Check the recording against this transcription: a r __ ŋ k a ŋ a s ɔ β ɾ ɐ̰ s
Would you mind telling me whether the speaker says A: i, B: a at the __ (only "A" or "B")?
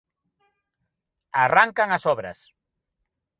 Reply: B